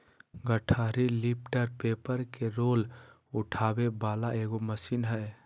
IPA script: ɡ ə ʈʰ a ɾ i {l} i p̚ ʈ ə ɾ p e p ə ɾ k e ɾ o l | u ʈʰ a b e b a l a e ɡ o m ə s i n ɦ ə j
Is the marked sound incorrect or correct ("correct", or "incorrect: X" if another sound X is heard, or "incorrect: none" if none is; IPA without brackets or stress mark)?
correct